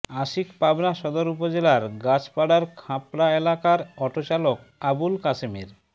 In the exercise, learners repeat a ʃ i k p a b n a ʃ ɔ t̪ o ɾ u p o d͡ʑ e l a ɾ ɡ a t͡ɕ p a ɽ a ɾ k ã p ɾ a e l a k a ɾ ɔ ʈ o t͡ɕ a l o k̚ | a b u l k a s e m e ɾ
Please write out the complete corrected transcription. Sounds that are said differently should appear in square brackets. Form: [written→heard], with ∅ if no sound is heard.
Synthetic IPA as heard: a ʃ i k p a b n a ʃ ɔ [t̪→d̪] o ɾ u p o d͡ʑ e l a ɾ ɡ a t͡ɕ p a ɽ a ɾ [k→kʰ] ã p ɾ a e l a k a ɾ ɔ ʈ o t͡ɕ a l o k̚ | a b u l k a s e m e ɾ